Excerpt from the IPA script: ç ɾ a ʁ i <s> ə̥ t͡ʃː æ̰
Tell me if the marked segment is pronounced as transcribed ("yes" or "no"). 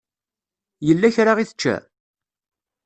no